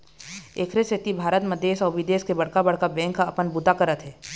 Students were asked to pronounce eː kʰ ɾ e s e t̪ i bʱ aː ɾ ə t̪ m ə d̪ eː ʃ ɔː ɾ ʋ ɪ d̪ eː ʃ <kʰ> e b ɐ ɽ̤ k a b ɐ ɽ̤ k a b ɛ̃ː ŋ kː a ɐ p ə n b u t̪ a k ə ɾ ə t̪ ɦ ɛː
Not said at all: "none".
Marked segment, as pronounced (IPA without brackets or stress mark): k